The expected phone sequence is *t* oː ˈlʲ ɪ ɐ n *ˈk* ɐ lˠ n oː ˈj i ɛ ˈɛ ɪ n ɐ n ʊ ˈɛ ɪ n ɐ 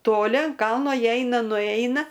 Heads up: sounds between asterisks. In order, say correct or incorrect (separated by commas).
correct, correct